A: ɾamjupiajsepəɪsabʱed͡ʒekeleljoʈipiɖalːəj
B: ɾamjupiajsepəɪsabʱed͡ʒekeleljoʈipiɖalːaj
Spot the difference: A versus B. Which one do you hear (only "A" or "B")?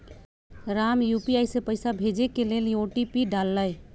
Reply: A